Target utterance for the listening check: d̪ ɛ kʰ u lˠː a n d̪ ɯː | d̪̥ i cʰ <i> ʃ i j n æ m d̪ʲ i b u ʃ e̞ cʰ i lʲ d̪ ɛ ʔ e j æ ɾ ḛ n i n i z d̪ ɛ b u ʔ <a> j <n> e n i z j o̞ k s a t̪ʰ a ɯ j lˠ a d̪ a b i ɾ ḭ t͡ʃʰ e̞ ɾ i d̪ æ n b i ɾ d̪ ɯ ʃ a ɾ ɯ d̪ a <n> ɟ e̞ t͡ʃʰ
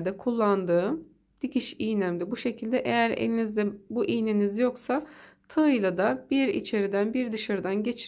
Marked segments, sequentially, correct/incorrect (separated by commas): correct, incorrect, correct, correct